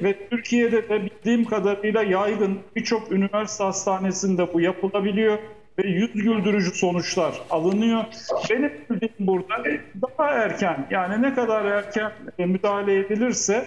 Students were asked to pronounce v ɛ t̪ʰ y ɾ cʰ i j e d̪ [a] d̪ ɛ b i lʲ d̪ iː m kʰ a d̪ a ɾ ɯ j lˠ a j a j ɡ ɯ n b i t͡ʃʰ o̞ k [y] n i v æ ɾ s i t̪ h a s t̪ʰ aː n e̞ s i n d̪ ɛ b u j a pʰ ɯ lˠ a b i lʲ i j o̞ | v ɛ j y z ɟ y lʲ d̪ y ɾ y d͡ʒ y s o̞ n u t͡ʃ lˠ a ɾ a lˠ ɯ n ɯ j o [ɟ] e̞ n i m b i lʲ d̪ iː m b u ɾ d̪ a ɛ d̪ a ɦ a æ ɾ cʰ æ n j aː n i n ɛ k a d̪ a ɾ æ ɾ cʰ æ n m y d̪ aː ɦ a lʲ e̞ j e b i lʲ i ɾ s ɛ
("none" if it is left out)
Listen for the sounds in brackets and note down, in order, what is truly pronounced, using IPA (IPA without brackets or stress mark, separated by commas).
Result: ɛ, y, b